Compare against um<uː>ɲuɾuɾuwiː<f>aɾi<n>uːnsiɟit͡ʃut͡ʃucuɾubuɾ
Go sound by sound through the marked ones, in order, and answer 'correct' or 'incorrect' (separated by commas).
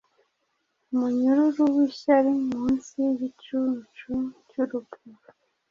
incorrect, incorrect, incorrect